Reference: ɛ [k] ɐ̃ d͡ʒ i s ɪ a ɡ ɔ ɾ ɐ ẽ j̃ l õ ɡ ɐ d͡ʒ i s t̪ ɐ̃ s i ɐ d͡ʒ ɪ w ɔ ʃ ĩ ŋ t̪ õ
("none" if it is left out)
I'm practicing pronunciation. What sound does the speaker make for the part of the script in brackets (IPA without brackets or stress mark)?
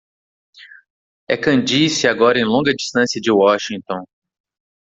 k